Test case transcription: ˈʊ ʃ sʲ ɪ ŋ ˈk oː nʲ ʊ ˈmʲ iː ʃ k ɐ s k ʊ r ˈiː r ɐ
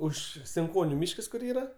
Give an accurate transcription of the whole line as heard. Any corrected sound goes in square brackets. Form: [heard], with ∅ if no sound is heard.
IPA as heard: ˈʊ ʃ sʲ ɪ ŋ ˈk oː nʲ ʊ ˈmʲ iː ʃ k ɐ s k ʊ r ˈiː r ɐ